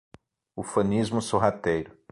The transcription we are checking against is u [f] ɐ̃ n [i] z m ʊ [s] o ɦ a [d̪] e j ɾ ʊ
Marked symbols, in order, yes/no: yes, yes, yes, no

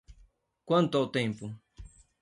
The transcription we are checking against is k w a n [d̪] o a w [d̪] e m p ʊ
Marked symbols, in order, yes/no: no, no

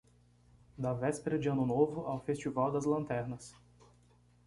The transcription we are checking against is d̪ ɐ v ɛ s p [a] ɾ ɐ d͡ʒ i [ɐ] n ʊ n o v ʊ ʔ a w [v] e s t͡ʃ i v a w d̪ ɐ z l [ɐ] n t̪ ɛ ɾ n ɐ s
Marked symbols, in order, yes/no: no, no, no, no

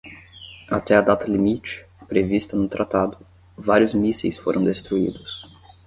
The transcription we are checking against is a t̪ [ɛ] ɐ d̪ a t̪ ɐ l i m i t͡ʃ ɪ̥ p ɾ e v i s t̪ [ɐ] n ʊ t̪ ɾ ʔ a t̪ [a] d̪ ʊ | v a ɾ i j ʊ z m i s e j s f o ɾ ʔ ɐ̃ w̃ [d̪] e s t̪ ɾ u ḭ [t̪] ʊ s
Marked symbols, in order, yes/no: yes, yes, yes, yes, no

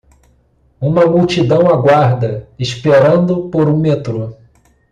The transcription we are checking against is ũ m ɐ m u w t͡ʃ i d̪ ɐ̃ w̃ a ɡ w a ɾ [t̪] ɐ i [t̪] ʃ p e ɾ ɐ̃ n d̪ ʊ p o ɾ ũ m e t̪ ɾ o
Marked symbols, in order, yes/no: no, no

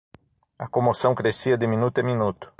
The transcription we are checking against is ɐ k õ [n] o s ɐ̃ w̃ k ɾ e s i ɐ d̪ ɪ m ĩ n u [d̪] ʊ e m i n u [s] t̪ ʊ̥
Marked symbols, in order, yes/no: no, no, no

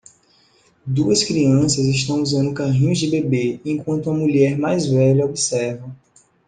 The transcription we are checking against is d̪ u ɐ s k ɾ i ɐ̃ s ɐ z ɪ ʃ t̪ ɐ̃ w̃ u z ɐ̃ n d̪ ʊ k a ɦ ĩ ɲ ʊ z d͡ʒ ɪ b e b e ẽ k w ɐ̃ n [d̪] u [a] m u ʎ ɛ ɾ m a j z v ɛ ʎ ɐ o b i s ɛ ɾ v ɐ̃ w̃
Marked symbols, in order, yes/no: no, no

